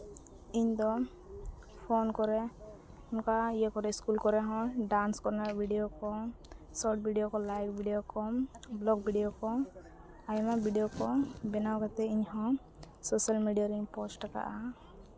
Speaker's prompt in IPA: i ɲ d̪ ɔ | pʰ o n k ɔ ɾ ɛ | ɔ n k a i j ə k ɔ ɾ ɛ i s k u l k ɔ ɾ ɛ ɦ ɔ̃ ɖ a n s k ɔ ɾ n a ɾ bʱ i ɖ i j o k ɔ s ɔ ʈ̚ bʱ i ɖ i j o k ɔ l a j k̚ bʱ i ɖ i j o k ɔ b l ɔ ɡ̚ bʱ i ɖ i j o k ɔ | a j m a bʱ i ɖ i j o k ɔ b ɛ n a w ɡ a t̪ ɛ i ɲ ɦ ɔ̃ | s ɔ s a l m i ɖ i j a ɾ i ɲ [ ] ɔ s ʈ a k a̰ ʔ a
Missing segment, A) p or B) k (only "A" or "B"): A